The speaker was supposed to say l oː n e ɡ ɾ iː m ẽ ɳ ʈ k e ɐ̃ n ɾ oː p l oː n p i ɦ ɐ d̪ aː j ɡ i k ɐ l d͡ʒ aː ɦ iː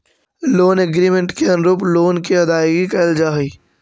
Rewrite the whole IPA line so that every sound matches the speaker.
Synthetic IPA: l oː n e ɡ ɾ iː m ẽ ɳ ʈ k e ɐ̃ n ɾ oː p l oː n k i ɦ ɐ d̪ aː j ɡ i k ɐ l d͡ʒ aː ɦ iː